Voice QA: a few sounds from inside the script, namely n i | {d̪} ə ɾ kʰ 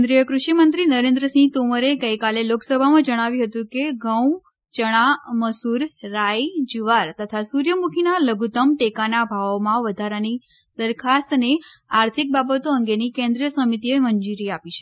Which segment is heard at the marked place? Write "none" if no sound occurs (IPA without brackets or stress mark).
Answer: d̪